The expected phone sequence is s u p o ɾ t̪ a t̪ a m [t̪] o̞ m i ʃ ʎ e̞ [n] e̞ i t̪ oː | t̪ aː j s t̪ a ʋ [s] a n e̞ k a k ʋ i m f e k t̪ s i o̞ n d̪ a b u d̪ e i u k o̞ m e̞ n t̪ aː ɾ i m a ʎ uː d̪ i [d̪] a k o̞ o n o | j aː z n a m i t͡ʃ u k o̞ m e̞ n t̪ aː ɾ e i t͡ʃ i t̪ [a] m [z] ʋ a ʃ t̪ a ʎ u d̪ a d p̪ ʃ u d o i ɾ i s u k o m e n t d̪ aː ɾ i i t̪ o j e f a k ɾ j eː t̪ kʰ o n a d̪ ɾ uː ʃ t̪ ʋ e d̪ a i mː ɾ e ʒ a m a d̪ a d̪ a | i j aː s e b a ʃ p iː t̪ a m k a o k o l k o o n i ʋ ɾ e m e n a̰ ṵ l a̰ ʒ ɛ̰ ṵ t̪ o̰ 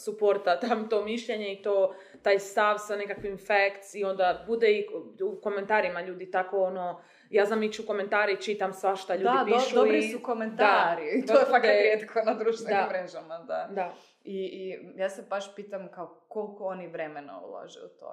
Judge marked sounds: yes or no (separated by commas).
yes, no, yes, no, yes, no